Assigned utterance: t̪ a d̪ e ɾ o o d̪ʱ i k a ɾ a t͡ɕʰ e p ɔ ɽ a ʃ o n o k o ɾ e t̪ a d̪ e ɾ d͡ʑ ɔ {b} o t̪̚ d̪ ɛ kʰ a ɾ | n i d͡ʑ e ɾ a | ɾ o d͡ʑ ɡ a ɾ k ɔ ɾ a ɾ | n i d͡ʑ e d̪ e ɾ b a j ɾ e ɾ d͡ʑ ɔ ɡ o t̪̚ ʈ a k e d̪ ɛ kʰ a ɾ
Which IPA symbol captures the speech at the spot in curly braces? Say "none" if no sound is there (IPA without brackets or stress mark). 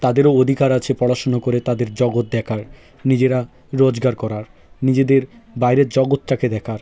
ɡ